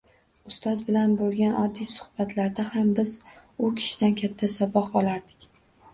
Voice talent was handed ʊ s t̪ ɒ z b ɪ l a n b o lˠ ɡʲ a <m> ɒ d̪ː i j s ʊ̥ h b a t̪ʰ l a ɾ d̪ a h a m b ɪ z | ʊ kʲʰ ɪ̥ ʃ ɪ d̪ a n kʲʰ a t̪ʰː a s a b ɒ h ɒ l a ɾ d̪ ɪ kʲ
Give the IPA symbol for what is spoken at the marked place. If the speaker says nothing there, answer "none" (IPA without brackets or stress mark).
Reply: n